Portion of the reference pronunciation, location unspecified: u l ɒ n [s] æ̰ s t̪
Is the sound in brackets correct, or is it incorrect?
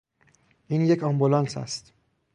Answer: correct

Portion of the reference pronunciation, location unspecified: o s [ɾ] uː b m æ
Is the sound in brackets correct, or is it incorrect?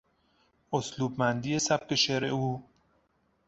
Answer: incorrect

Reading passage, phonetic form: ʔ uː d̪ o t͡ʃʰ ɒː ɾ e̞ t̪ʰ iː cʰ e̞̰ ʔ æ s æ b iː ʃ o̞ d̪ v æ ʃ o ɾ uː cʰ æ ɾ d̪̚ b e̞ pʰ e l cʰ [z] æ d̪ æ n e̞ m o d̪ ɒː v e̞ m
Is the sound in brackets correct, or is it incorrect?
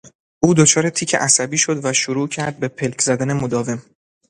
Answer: correct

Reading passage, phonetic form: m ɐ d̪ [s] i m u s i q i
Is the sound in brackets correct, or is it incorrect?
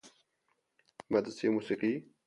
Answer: correct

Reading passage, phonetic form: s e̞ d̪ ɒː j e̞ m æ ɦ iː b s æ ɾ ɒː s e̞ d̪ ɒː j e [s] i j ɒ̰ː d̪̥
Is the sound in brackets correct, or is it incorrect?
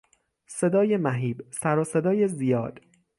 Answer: incorrect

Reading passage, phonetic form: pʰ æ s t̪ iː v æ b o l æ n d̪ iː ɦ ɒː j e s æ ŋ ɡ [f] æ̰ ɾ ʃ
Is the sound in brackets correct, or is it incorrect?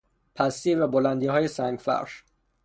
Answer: correct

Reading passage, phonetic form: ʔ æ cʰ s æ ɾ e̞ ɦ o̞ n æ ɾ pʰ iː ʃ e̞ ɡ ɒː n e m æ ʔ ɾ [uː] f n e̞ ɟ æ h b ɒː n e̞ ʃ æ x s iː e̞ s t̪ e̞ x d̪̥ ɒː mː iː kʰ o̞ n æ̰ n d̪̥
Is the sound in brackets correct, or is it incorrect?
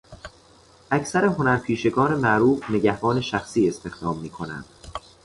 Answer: correct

